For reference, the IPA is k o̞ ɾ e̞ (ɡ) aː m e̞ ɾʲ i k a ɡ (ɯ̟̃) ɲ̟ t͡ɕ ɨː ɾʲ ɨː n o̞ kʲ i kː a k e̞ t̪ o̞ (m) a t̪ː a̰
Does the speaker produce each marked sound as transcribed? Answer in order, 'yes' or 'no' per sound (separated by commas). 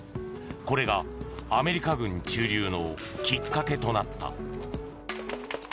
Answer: yes, yes, no